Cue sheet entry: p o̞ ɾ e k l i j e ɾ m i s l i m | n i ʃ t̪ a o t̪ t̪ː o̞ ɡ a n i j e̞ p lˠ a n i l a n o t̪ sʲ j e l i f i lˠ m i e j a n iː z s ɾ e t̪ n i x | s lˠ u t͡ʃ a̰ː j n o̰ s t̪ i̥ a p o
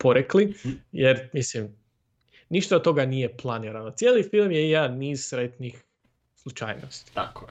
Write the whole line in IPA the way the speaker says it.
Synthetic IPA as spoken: p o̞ ɾ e k l i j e ɾ m i s l i m | n i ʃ t̪ a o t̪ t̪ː o̞ ɡ a n i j e̞ p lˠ a n i ɾ a n o t̪ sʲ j e l i f i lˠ m j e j a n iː z s ɾ e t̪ n i x | s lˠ u t͡ʃ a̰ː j n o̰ s t̪ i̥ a k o